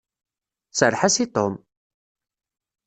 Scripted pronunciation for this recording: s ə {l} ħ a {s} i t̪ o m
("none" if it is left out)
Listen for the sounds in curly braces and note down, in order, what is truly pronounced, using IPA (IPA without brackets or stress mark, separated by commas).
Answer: ɾ, s